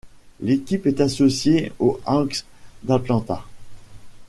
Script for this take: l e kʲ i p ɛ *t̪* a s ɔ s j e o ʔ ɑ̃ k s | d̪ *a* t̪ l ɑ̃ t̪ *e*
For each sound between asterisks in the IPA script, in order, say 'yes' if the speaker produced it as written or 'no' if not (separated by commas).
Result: yes, yes, no